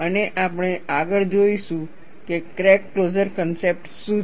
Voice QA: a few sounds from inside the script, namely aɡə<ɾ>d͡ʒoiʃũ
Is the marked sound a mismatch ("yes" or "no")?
yes